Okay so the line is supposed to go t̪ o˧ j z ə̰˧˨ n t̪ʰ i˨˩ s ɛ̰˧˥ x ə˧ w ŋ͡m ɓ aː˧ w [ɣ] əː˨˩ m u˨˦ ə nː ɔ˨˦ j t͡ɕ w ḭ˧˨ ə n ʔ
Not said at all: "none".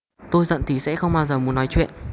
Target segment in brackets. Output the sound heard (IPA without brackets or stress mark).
z